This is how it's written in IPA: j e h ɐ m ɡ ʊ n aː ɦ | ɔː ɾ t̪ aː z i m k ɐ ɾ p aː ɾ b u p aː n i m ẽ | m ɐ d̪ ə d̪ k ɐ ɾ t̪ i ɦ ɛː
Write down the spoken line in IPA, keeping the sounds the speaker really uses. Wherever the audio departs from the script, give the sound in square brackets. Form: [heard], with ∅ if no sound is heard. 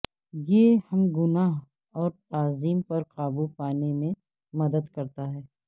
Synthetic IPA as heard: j e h ɐ m ɡ ʊ n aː ɦ | ɔː ɾ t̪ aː z [iː] m [p] ɐ ɾ [q] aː [∅] b u p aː n [e] m ẽ | m ɐ d̪ ə d̪ k ɐ ɾ t̪ [a] ɦ ɛː

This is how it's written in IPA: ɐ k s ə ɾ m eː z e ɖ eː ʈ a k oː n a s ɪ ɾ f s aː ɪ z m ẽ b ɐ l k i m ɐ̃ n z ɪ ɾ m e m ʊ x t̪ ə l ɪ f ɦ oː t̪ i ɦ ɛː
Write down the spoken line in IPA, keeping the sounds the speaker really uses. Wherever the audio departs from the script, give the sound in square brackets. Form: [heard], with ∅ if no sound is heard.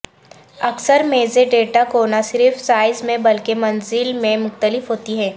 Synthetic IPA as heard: ɐ k s ə ɾ m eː z e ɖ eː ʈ a k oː n a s ɪ ɾ f s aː ɪ z m ẽ b ɐ l k [e] m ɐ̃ n z ɪ [l] m [ẽ] m ʊ x t̪ ə l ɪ f ɦ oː t̪ i ɦ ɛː

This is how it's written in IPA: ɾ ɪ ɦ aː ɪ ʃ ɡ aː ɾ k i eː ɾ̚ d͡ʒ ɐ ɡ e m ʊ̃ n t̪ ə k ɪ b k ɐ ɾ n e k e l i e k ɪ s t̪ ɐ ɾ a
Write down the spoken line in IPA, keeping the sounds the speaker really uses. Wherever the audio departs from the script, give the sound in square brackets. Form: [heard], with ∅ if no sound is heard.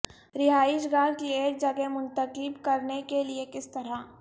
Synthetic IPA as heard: ɾ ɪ ɦ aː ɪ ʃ ɡ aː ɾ k i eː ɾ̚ d͡ʒ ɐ ɡ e m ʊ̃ n t̪ ə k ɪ b k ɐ ɾ n e k e l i e k ɪ s t̪ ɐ ɾ a

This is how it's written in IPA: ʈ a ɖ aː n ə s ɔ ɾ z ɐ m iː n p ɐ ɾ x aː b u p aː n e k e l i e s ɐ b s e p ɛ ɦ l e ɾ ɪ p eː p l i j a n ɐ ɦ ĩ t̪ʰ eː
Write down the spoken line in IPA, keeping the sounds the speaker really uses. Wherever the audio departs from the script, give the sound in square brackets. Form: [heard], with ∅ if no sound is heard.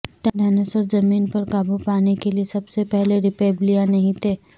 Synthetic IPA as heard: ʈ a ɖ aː n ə s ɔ ɾ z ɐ m iː n p ɐ ɾ [k] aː b u p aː n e k e l i e s ɐ b s e p ɛ ɦ l e ɾ ɪ p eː [b] l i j a n ɐ ɦ ĩ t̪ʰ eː

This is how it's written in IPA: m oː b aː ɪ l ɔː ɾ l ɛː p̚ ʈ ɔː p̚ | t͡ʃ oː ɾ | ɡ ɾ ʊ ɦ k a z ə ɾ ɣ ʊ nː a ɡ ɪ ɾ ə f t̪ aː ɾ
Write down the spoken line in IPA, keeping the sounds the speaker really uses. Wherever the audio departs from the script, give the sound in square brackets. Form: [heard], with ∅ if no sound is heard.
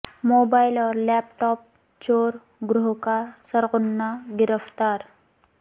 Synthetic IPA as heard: m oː b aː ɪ l ɔː ɾ l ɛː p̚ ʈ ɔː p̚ | t͡ʃ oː ɾ | ɡ ɾ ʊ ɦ k a [s] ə ɾ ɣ ʊ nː a ɡ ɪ ɾ ə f t̪ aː ɾ

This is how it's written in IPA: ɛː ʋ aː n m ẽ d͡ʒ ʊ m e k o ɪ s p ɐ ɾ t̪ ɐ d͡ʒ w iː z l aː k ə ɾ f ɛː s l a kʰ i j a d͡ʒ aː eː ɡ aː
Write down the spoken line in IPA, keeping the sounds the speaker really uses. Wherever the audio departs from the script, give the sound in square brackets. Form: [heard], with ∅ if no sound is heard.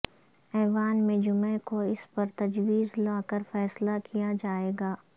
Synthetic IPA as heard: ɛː ʋ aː n m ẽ d͡ʒ ʊ m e k o ɪ s p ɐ ɾ t̪ ɐ d͡ʒ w iː z l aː k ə ɾ f ɛː s l a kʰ i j a d͡ʒ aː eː ɡ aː

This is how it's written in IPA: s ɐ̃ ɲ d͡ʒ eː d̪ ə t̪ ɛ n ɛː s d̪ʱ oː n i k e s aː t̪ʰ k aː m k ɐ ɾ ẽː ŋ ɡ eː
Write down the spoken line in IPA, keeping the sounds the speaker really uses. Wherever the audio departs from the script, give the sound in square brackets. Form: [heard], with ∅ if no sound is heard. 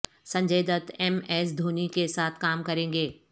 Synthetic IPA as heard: s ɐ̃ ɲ d͡ʒ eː d̪ ə t̪ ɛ [m] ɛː s d̪ʱ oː n i k e s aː t̪ʰ k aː m k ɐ ɾ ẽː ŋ ɡ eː

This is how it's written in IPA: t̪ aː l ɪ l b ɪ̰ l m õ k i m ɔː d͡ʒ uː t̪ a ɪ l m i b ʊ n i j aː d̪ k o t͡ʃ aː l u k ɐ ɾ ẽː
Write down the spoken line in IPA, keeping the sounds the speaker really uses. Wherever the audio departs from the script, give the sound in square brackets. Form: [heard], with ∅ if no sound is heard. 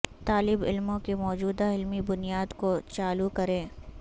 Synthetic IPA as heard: t̪ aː l ɪ [∅] b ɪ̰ l m õ k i m ɔː d͡ʒ uː [d̪] a ɪ l m i b ʊ n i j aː d̪ k o t͡ʃ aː l u k ɐ ɾ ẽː

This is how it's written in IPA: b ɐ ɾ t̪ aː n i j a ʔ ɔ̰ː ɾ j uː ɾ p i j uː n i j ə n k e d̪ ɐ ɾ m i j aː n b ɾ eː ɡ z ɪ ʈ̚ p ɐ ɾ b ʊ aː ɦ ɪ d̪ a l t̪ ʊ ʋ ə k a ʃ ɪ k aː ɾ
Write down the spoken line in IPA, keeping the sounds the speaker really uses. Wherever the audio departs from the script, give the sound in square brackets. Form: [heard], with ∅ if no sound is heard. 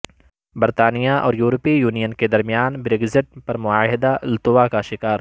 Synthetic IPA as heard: b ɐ ɾ t̪ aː n i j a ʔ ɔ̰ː ɾ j uː ɾ p i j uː n i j ə n k e d̪ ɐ ɾ m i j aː n b ɾ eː ɡ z ɪ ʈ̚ p ɐ ɾ [m] ʊ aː ɦ ɪ d̪ a l t̪ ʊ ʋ [a] k a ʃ ɪ k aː ɾ

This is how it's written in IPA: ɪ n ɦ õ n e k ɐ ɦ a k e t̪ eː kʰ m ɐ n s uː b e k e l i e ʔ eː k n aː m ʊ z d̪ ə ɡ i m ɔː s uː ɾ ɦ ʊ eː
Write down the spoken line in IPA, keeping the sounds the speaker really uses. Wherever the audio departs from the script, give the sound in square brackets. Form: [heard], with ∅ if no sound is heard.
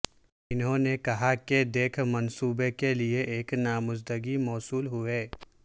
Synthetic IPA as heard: ɪ n ɦ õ n e k ɐ ɦ a k e [d̪] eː kʰ m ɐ n s uː b e k e l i e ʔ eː k n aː m ʊ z d̪ ə ɡ i m ɔː s uː [l] ɦ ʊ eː

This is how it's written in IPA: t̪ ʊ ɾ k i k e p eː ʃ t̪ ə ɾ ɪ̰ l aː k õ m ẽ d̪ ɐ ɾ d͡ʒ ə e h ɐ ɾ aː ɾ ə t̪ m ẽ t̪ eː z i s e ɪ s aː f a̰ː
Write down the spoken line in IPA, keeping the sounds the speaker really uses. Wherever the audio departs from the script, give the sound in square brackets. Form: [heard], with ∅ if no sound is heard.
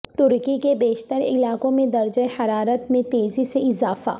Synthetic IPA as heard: t̪ ʊ ɾ k i k e [b] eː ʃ t̪ ə ɾ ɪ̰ l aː k õ m ẽ d̪ ɐ ɾ d͡ʒ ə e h ɐ ɾ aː ɾ ə t̪ m ẽ t̪ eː z i s e ɪ [z] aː f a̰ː

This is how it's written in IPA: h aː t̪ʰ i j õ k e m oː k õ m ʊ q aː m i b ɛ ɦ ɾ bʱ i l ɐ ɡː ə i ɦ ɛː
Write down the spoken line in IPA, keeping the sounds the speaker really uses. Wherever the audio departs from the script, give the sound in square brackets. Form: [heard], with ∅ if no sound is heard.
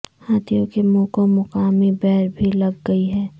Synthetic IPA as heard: h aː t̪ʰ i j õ k e m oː k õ m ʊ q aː m i b ɛ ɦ ɾ bʱ i l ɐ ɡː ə i ɦ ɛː

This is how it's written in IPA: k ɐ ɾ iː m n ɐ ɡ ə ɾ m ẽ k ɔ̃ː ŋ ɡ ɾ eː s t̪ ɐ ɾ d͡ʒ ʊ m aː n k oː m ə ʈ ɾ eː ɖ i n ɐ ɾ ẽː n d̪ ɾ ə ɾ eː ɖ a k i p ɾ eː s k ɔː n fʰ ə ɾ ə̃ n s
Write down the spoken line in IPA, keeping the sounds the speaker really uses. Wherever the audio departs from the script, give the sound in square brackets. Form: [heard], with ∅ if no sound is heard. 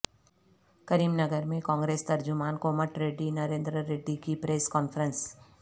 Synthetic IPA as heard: k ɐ ɾ iː m n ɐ ɡ ə ɾ m ẽ k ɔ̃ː ŋ ɡ ɾ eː s t̪ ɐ ɾ d͡ʒ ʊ m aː n k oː m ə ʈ ɾ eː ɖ i n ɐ ɾ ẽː n d̪ ɾ ə ɾ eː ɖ [i] k i p ɾ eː s k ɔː n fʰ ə ɾ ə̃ n s

